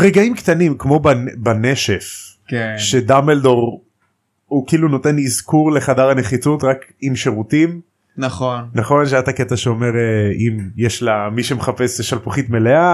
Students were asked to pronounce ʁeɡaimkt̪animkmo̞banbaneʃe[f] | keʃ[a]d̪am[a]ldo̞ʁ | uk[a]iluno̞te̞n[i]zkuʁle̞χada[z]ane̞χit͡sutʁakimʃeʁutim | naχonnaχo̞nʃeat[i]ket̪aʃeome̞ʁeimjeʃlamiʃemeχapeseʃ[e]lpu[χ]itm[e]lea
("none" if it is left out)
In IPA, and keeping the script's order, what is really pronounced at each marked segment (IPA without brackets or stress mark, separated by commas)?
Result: f, e, e, i, i, ʁ, a, a, χ, e